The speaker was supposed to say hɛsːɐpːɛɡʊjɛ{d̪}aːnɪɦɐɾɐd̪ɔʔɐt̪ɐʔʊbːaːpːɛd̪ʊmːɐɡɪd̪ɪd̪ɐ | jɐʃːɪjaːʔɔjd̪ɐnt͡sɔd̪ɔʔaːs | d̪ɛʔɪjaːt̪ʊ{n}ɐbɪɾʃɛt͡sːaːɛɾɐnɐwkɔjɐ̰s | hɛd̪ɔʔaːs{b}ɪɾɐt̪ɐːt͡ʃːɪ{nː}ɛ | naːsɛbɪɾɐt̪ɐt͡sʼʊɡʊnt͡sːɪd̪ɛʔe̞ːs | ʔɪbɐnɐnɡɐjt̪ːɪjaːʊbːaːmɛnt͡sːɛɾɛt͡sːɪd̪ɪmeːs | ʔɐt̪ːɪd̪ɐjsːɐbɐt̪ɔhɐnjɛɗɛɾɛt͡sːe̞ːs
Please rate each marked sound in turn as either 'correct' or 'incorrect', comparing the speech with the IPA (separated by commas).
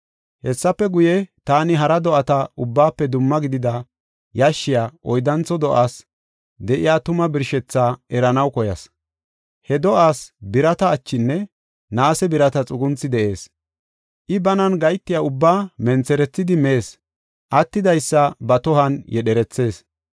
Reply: incorrect, incorrect, correct, correct